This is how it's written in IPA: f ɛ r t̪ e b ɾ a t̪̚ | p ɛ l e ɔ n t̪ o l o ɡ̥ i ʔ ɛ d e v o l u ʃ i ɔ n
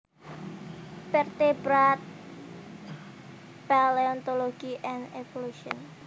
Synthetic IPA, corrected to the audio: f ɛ r t̪ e b ɾ a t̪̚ | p a l e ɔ n t̪ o l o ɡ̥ i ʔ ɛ n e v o l u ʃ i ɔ n